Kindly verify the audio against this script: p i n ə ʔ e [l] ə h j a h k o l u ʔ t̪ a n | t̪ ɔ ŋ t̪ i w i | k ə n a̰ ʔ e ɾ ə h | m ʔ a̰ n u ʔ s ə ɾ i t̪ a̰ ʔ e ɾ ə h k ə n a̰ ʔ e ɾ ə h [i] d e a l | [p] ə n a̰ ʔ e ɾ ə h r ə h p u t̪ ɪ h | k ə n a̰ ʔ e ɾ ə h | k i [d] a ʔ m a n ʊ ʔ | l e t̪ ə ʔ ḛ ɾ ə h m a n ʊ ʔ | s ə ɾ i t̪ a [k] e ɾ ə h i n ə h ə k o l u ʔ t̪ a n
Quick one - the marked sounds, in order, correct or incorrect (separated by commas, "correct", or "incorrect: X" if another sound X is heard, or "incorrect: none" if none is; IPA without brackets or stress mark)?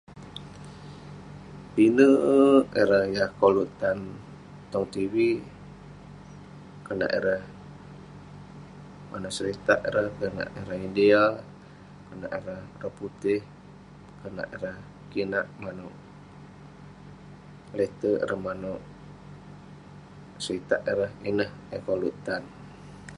incorrect: ɾ, correct, incorrect: k, incorrect: n, incorrect: ʔ